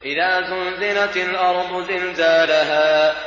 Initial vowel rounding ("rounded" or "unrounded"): unrounded